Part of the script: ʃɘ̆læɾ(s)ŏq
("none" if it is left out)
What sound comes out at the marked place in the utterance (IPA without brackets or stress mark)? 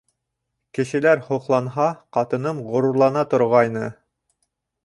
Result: h